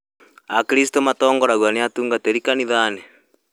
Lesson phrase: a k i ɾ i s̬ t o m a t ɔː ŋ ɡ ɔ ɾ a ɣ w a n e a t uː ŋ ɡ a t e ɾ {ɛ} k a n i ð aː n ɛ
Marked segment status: incorrect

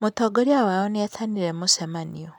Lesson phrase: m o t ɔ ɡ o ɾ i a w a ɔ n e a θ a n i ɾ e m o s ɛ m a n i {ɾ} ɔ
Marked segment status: incorrect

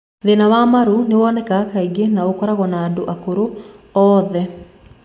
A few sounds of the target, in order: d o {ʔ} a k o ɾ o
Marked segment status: correct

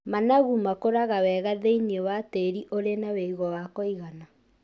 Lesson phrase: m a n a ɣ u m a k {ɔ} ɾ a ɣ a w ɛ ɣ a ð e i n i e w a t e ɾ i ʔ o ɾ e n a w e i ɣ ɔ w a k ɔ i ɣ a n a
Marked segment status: incorrect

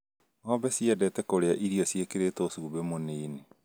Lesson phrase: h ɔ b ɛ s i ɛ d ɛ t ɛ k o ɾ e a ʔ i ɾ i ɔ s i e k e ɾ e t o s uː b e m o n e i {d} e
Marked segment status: incorrect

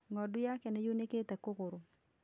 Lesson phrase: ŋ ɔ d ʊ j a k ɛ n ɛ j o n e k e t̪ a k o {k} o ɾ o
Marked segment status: correct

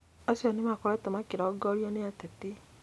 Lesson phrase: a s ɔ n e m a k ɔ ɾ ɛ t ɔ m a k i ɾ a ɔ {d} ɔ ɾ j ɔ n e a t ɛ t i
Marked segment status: incorrect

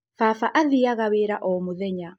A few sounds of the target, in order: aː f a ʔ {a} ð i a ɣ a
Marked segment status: correct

